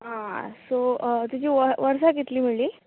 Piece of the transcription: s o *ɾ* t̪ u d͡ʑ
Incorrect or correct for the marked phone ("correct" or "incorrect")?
incorrect